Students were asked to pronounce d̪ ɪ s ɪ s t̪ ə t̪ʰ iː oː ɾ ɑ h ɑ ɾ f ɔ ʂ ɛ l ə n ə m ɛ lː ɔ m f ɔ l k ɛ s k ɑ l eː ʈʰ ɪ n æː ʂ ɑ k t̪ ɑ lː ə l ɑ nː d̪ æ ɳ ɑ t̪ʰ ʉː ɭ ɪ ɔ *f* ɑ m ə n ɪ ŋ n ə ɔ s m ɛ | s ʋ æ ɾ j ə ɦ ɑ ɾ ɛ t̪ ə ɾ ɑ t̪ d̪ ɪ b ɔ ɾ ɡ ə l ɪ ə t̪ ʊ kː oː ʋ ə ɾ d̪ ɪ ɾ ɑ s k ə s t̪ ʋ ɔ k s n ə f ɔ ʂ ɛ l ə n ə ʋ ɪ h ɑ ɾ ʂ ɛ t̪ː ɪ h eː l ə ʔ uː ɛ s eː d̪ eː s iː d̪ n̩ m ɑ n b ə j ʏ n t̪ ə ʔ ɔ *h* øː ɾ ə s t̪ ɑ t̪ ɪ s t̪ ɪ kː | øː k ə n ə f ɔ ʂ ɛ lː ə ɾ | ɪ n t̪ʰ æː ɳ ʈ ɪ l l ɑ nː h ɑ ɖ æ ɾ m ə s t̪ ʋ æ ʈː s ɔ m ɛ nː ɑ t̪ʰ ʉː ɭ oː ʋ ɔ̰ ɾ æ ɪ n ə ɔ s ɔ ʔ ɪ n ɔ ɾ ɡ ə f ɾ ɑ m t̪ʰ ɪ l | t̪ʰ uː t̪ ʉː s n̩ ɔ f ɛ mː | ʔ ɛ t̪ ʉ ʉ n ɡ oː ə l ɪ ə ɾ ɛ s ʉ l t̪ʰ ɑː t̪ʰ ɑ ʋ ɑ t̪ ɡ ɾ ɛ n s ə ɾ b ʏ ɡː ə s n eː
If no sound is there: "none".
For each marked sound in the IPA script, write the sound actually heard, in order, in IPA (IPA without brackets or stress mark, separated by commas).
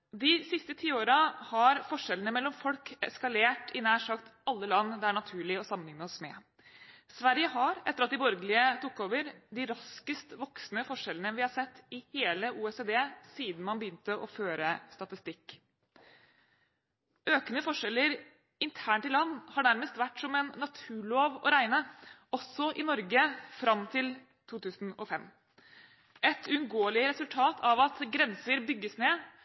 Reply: s, f